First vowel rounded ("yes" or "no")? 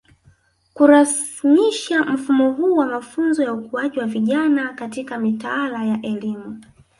yes